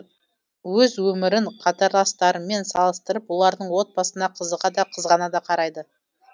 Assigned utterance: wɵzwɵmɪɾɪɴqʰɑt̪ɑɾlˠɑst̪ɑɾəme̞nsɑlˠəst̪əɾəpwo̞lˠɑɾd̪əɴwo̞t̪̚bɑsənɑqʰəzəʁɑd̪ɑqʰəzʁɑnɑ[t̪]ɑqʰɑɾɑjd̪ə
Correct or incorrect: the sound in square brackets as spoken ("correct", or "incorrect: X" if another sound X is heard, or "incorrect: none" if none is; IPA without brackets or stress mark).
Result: incorrect: d̪